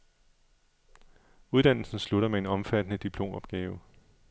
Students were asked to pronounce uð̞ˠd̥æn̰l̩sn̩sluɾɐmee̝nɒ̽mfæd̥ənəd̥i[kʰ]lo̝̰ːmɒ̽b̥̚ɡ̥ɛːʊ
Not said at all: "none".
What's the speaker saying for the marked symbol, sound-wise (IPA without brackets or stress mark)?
pʰ